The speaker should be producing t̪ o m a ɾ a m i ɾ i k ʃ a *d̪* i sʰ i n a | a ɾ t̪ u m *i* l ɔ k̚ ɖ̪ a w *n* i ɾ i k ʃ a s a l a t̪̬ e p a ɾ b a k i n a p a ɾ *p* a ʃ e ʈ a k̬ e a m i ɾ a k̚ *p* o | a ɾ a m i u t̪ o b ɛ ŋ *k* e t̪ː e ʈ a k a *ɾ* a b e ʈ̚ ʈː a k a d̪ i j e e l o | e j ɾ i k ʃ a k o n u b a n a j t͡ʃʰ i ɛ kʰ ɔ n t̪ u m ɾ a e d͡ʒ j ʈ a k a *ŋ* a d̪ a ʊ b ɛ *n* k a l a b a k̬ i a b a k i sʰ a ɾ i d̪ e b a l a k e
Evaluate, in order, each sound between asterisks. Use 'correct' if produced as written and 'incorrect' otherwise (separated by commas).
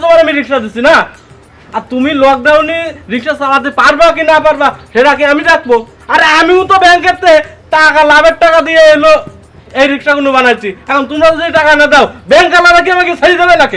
correct, correct, correct, incorrect, incorrect, correct, incorrect, incorrect, incorrect